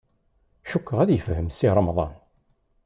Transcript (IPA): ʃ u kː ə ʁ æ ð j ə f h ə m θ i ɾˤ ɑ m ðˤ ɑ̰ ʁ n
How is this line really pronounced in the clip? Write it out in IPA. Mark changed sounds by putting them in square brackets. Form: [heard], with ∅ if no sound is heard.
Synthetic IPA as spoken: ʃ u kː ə ʁ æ ð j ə f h ə m [s] i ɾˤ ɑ m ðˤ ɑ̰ [∅] n